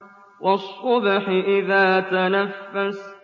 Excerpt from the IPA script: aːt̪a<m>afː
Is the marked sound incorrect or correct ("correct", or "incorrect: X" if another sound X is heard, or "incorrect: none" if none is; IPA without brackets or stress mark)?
incorrect: n